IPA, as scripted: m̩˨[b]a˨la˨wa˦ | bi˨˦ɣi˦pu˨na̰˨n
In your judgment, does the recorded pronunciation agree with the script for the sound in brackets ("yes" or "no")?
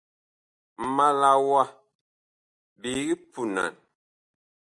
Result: no